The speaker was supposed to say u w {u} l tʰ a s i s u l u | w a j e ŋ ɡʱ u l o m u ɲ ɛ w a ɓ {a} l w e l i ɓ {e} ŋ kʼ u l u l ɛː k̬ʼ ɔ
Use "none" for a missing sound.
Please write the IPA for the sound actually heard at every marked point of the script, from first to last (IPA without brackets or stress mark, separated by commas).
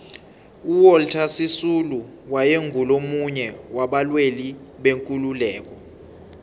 ɔ, a, e